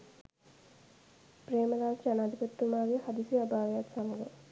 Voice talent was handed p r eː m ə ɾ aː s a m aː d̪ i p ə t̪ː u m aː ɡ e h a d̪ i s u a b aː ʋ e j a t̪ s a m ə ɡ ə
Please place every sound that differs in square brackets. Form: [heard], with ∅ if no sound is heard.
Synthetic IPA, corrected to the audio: p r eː m ə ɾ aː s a [n] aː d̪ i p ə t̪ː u m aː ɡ e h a d̪ i s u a b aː ʋ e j a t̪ s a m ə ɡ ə